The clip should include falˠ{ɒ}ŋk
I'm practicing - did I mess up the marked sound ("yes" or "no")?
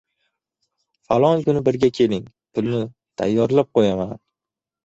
no